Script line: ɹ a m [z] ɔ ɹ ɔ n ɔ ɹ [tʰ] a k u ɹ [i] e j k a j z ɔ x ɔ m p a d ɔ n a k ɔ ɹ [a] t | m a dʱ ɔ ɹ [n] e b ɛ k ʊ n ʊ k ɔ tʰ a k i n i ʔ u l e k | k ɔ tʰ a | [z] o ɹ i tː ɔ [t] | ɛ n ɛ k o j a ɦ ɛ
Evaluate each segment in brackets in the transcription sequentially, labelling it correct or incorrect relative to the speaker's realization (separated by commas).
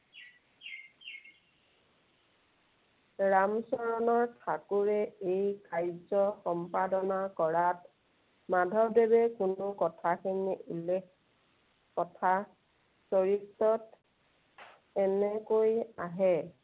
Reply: incorrect, correct, incorrect, correct, incorrect, incorrect, correct